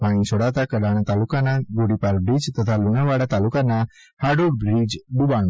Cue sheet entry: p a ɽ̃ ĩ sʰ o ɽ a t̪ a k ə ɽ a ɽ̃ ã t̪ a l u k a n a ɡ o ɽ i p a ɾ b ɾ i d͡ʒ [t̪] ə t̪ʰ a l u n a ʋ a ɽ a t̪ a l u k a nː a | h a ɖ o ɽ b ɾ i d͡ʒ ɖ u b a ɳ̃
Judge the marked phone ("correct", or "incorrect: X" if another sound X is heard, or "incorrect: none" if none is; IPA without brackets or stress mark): correct